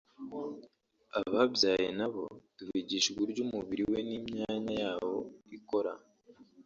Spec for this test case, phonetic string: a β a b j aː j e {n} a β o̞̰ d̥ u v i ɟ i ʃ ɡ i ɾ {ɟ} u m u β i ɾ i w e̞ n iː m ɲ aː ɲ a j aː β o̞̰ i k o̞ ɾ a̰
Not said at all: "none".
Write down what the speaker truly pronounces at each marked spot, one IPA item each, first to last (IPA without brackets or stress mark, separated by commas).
n, ɟ